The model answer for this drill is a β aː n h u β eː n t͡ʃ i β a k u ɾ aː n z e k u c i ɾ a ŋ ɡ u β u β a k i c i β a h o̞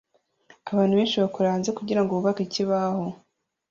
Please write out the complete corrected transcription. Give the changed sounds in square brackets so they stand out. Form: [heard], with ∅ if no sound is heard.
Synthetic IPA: a β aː n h u β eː n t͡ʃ i β a k u ɾ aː n z e k u [ɟ] i ɾ a ŋ ɡ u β u β a k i c i β a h o̞